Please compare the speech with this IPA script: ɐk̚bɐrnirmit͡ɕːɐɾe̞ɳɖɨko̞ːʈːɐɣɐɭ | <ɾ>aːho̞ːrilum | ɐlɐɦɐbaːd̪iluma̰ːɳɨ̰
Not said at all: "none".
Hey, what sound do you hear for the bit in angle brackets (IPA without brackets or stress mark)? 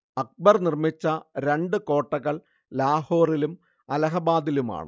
l